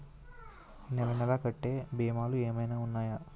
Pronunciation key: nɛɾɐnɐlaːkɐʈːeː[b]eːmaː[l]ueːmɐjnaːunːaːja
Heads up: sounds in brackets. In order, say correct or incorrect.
correct, correct

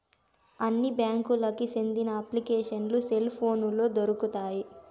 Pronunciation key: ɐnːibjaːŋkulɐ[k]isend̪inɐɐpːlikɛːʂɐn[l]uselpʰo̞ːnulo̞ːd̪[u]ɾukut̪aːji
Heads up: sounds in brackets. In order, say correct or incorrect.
correct, correct, incorrect: o

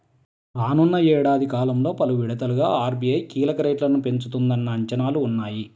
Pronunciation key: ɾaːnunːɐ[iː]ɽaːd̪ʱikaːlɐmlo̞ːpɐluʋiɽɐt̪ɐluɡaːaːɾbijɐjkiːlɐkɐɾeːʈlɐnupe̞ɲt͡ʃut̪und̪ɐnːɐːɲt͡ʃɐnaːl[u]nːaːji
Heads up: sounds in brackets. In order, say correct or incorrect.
incorrect: ɛː, incorrect: uː

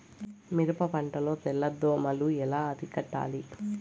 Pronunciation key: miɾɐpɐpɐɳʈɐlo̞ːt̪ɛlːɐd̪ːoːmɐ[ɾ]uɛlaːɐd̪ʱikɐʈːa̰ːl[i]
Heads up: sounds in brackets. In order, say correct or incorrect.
incorrect: l, correct

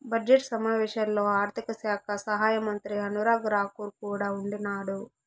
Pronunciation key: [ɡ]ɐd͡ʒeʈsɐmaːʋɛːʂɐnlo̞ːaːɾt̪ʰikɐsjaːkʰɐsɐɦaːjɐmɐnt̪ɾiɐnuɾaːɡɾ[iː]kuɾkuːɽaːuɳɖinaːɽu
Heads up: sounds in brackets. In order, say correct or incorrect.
incorrect: b, incorrect: aː

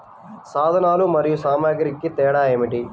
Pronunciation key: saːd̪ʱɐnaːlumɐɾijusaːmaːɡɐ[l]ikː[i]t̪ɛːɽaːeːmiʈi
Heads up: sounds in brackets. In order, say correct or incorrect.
incorrect: ɾ, correct

